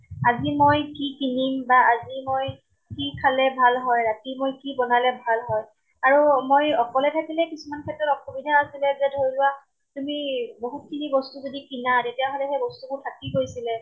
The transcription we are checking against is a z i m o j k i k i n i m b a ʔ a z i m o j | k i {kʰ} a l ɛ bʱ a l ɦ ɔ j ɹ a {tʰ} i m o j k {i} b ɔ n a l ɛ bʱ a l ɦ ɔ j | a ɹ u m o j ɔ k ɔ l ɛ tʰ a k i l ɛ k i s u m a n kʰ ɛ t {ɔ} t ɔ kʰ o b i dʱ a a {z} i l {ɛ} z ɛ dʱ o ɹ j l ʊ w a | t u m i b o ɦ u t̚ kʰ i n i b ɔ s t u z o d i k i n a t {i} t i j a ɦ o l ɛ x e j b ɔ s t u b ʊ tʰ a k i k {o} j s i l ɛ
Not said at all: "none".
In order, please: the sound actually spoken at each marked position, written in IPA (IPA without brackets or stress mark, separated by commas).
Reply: kʰ, t, i, ɔ, s, ɛ, e, o